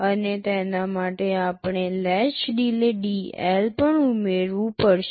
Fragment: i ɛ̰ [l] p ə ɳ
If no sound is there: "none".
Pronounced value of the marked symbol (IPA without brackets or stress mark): l